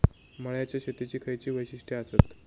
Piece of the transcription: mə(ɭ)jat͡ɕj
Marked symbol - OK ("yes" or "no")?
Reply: yes